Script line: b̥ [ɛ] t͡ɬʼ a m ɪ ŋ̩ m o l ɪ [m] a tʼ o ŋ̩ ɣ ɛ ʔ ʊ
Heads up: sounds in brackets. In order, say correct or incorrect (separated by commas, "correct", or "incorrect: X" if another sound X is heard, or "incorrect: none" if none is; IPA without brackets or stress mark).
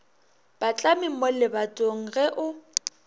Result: incorrect: a, incorrect: b